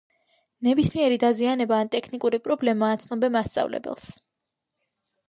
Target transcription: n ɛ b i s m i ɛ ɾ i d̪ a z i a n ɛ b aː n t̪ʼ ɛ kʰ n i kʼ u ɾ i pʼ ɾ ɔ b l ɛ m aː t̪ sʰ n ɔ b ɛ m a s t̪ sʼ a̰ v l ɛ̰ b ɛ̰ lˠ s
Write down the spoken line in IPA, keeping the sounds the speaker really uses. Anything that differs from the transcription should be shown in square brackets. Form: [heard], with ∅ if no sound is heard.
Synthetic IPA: n ɛ b i s m i ɛ ɾ i d̪ a z i a n ɛ b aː n t̪ʼ ɛ kʰ n i kʼ u ɾ i pʼ ɾ ɔ b l ɛ m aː t̪ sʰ n ɔ b ɛ m a s t̪ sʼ a̰ v l ɛ̰ b ɛ̰ lˠ s